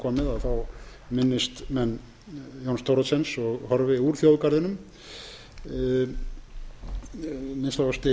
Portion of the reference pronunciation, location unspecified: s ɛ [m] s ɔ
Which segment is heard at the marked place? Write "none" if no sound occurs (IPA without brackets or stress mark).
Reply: n